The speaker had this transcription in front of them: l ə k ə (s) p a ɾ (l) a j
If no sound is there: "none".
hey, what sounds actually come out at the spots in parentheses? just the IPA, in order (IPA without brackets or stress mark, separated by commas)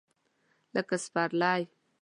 s, l